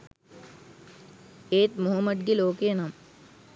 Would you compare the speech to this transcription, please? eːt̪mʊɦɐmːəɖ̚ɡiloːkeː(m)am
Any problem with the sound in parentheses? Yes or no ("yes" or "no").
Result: yes